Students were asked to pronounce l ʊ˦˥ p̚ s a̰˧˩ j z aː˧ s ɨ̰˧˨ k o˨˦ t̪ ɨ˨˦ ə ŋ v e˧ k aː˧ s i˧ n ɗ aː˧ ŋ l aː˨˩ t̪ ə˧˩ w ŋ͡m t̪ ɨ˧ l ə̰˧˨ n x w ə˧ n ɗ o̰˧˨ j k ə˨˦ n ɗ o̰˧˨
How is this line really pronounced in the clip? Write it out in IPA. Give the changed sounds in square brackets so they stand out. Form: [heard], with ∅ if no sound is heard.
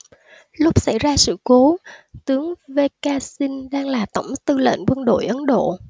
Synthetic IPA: l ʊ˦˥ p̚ s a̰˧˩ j z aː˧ s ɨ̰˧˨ k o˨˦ t̪ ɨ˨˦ ə ŋ v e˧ k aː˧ s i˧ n ɗ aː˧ ŋ l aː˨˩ t̪ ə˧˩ w ŋ͡m t̪ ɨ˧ l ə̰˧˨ n [k] w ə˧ n ɗ o̰˧˨ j [ʔ] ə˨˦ n ɗ o̰˧˨